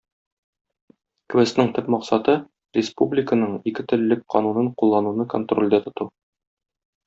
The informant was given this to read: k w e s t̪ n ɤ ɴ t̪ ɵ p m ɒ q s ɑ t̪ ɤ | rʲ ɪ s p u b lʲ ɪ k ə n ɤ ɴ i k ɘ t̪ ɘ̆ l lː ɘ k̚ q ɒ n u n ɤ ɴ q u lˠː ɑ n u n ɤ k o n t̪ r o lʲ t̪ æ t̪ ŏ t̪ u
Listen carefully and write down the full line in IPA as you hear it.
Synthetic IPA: k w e s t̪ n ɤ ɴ t̪ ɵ p m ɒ q s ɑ t̪ ɤ | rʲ ɪ s p u b lʲ ɪ k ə n ɤ ɴ i k ɘ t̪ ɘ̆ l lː ɘ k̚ q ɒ n u n ɤ ɴ q u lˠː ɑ n u n ɤ k o n t̪ r o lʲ d̪ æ t̪ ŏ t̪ u